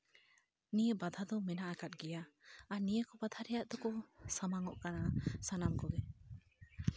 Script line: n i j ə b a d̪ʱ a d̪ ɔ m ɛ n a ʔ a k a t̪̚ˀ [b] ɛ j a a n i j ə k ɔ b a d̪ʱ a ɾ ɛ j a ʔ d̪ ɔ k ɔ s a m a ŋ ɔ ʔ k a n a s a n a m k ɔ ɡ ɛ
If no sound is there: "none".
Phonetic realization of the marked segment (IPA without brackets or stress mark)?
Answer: ɡ